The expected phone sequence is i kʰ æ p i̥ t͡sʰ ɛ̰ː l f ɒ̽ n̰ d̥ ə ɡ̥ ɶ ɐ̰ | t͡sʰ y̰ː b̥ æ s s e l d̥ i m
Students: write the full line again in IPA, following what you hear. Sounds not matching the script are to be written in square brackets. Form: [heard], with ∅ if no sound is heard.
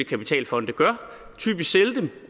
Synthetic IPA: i kʰ æ p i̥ t͡sʰ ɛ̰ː l f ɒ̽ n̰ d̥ ə ɡ̥ ɶ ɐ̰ | t͡sʰ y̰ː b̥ [i] s s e l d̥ [e] m

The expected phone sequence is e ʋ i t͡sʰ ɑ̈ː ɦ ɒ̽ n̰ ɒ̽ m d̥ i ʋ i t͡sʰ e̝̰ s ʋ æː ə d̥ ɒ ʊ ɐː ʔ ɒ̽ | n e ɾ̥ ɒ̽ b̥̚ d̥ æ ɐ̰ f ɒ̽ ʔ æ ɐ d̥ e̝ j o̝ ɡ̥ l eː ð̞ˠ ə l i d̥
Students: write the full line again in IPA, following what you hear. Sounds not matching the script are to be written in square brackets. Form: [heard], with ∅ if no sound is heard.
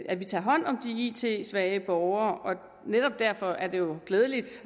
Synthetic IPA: [æ] ʋ i t͡sʰ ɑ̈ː ɦ ɒ̽ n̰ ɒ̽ m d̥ i [∅] i t͡sʰ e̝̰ s ʋ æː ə [b̥] ɒ ʊ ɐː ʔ ɒ̽ | n e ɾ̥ ɒ̽ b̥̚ d̥ æ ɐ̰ f ɒ̽ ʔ æ ɐ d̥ e̝ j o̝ ɡ̥ l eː ð̞ˠ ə l i d̥

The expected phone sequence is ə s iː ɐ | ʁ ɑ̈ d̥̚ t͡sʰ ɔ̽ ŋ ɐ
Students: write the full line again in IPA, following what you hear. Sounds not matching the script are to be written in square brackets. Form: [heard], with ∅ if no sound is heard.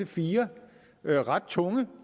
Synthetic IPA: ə [f] iː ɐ | ʁ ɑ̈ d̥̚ t͡sʰ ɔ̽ ŋ [ə]

